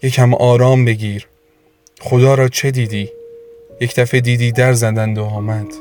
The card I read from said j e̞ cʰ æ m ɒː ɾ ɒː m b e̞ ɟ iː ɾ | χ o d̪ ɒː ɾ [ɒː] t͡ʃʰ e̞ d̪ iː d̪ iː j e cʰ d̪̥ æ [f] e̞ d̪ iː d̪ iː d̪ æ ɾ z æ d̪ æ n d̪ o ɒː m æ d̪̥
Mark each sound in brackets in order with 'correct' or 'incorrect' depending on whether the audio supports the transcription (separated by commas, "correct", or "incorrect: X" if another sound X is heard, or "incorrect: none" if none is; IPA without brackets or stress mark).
correct, correct